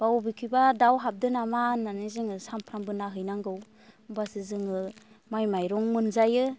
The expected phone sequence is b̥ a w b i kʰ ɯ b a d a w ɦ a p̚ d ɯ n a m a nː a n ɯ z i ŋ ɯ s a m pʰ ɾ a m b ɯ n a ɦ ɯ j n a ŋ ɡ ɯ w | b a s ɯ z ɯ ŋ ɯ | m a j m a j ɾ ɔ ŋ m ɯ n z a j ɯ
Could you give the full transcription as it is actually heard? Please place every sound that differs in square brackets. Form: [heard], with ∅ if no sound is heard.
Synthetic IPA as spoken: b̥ a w b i kʰ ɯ b a d a w ɦ a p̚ d ɯ n a m a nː a n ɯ z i ŋ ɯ s a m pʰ ɾ a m b ɯ n a ɦ ɯ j n a ŋ ɡ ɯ w | b a s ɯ z ɯ ŋ ɯ | m a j m a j ɾ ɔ ŋ m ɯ n z a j ɯ